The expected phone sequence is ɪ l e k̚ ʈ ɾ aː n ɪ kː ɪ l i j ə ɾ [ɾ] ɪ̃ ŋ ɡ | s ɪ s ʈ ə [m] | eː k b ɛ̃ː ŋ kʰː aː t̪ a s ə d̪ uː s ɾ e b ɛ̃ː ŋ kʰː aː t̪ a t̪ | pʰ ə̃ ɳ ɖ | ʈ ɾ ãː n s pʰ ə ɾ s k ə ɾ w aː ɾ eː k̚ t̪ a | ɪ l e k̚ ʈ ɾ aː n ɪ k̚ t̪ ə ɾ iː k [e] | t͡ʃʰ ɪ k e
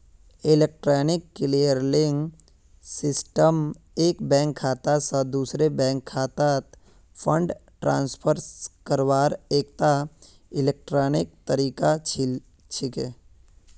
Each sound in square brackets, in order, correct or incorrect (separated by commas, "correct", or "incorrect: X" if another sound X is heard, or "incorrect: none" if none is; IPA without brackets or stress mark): incorrect: l, correct, incorrect: a